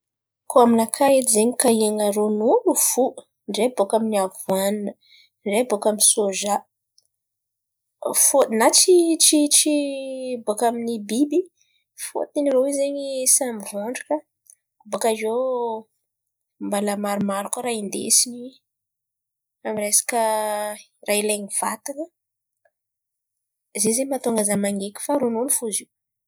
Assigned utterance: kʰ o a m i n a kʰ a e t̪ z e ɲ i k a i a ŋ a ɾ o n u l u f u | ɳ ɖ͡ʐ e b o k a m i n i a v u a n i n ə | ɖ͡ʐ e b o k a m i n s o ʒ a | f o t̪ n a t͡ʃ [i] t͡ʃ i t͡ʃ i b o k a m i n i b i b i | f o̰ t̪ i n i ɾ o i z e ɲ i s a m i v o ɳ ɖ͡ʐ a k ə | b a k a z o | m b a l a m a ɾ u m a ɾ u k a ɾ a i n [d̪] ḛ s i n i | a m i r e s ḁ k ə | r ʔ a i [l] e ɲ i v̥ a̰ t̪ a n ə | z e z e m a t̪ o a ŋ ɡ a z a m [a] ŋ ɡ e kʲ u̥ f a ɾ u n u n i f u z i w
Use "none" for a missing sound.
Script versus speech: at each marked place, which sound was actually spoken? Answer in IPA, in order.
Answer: i, d̪, l, a

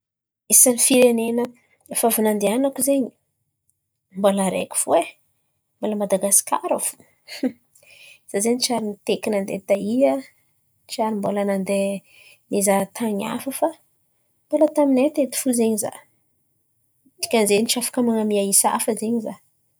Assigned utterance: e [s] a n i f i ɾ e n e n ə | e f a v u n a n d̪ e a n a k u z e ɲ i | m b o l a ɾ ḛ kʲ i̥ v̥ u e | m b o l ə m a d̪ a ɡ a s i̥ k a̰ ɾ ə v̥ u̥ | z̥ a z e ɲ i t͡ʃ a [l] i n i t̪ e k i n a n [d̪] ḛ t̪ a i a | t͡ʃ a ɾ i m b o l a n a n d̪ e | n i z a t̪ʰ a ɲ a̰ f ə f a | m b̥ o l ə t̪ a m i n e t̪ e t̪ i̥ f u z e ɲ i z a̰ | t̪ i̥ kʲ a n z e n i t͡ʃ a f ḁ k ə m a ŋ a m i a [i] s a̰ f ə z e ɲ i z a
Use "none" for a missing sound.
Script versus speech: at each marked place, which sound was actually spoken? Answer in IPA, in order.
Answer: s, ɾ, d̪, i

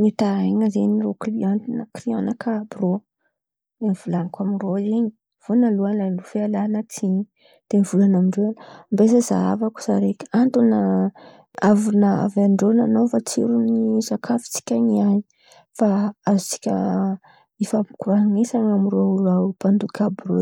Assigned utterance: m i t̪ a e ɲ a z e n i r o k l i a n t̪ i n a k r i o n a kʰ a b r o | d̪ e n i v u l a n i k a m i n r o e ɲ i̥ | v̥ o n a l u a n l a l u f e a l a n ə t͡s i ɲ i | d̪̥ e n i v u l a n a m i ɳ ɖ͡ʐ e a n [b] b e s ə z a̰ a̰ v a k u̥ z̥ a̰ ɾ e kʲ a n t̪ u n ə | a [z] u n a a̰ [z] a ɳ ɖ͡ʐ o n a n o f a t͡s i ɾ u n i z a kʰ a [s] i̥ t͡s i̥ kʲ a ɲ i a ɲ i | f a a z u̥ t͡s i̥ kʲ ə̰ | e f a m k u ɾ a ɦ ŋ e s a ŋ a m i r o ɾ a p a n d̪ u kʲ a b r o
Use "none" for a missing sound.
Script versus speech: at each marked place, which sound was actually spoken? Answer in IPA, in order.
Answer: m, v, v, f

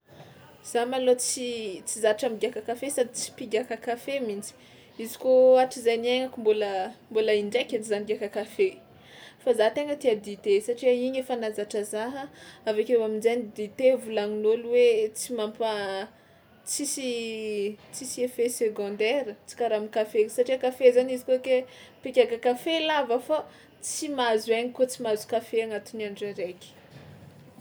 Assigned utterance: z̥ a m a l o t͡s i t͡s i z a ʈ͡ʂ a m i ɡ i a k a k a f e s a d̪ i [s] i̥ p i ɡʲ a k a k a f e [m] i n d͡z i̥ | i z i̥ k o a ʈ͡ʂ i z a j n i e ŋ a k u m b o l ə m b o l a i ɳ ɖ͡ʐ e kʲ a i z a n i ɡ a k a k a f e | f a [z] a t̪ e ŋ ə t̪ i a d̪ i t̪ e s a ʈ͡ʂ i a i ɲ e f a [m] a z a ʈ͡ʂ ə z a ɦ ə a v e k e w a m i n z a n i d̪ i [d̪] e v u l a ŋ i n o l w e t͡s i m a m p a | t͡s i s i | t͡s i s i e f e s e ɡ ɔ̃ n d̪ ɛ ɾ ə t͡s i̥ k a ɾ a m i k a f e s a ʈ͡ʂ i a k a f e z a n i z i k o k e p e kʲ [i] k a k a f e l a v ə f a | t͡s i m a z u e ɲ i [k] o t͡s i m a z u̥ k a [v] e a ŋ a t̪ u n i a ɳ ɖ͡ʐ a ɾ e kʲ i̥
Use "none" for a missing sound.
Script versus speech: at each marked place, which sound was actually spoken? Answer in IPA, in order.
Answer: t͡s, m, z, n, t̪, a, k, f

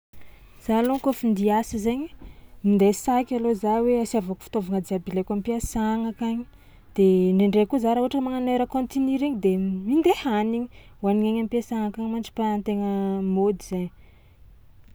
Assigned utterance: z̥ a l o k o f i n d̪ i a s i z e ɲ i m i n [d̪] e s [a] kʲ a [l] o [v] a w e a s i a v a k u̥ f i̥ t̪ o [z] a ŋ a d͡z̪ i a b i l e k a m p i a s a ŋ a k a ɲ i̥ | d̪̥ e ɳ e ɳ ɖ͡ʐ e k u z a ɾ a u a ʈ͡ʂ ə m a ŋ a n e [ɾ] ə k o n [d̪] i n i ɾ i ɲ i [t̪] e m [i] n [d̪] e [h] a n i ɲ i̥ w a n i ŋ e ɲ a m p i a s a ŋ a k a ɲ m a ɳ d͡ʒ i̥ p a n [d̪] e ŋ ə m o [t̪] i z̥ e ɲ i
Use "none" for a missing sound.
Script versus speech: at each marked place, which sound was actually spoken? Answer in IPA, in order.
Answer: d̪, a, l, z, v, ɾ, t̪, d̪, i, d̪, h, t̪, d̪

